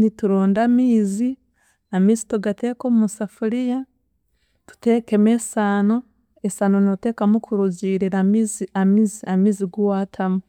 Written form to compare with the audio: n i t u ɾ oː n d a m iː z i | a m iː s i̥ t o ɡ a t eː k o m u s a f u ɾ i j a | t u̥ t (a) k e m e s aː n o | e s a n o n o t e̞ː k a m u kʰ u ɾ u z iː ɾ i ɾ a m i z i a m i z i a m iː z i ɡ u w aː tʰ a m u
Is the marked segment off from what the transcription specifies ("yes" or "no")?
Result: yes